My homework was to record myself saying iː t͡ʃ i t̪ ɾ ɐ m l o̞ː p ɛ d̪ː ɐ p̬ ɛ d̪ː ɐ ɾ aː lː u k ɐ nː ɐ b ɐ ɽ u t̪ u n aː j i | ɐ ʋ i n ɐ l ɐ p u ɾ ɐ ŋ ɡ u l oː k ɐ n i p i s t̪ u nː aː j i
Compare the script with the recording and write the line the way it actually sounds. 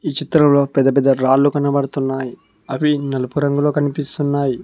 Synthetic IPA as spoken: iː t͡ʃ i t̪ ɾ ɐ m l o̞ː p ɛ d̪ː ɐ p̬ ɛ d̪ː ɐ ɾ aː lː u k ɐ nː ɐ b ɐ ɽ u t̪ u nː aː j i | ɐ ʋ i n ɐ l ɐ p u ɾ ɐ ŋ ɡ u l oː k ɐ n i p i s t̪ u nː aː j i